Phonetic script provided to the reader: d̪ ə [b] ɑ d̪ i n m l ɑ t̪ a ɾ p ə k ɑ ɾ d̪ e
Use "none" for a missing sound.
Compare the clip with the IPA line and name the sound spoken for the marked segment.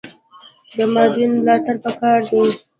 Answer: m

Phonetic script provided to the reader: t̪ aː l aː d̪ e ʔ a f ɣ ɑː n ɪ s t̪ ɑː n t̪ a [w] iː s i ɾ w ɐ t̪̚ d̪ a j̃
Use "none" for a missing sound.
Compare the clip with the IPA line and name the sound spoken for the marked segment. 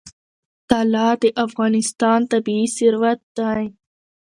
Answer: b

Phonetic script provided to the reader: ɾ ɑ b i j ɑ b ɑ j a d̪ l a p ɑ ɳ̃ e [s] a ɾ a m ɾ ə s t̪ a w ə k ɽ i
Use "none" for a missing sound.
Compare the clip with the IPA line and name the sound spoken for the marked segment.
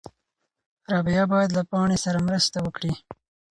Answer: s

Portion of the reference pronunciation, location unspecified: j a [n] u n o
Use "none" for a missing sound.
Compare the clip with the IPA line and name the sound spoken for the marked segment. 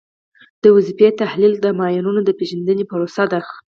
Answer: n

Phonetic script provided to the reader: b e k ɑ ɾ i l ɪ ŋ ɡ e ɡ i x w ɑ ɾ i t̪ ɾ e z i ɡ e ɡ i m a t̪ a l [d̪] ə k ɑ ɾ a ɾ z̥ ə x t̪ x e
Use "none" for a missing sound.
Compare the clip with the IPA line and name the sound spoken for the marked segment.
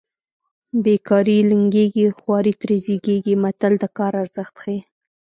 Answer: d̪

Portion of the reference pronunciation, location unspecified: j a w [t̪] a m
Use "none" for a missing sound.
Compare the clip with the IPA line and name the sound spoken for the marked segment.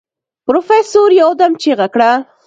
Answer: d̪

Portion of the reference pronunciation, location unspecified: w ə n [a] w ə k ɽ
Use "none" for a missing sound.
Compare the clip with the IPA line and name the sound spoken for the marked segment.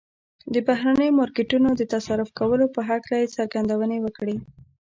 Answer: e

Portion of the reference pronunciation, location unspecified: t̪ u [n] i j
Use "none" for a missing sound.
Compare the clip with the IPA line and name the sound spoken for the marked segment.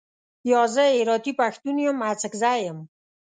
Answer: n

